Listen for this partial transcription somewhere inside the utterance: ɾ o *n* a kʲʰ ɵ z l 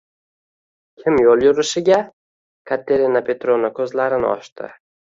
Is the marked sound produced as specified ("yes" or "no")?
yes